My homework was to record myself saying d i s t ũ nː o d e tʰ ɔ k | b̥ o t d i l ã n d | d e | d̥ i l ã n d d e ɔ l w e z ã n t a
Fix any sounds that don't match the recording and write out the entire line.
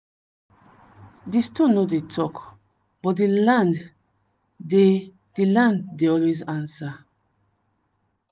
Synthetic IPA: d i s t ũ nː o d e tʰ ɔ k | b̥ ɔ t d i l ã n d | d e | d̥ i l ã n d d e ɔ l w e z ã n s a